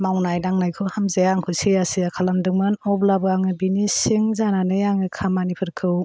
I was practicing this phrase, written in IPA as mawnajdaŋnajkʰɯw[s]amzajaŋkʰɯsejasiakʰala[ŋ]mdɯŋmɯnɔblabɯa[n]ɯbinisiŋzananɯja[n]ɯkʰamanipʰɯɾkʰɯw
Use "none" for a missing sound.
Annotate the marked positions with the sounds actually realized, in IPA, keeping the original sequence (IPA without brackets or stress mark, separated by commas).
h, none, ŋ, ŋ